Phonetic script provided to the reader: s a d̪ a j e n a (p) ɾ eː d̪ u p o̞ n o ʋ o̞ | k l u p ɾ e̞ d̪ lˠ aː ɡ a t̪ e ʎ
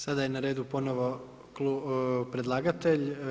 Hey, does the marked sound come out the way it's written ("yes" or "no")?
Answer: no